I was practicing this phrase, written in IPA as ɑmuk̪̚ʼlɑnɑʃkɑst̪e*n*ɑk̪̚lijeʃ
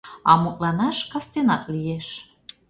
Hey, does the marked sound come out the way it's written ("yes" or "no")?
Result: yes